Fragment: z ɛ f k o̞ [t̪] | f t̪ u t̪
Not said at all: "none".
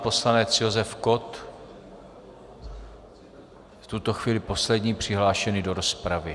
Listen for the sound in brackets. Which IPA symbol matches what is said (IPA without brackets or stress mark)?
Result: t̪